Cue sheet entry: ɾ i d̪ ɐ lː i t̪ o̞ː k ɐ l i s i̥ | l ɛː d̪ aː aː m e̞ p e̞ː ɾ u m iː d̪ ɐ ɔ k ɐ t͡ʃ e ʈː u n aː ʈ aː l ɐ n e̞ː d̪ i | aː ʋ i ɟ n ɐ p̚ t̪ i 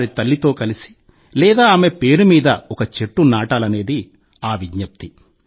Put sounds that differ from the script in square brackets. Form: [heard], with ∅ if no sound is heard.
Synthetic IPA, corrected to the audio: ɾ i [t̪] ɐ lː i t̪ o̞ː k ɐ l i s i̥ | l ɛː d̪ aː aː m e̞ p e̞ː ɾ u m iː d̪ ɐ ɔ k ɐ t͡ʃ e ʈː u n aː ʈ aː l ɐ n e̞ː d̪ i | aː ʋ i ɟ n ɐ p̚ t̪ i